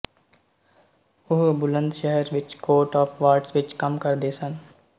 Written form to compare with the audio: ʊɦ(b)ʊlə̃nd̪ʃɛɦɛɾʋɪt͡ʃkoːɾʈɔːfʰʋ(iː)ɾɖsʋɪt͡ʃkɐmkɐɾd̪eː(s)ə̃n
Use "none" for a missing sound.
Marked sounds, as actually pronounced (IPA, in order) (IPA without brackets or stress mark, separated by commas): b, aː, s